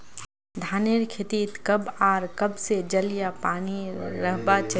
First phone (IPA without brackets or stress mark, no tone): d̪ʱ